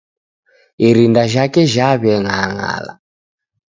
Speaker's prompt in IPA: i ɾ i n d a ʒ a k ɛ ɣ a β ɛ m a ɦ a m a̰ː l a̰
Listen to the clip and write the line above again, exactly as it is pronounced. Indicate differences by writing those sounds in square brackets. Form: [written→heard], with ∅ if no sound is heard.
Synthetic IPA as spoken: i ɾ i n d a ʒ a k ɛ [ɣ→ʒ] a β ɛ [m→ŋ] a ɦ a [m→ŋ] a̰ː l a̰